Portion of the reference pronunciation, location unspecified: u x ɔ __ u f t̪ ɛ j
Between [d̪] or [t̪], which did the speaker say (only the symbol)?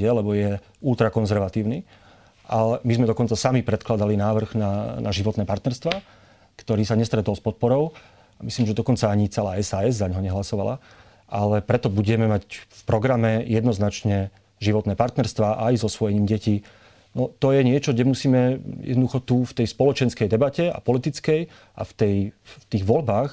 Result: t̪